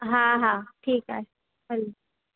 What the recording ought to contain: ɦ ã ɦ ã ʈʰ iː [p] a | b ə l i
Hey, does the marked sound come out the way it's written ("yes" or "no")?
no